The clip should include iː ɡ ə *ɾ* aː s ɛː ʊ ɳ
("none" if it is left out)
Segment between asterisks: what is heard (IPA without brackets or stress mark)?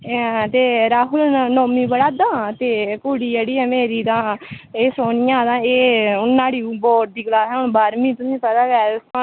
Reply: l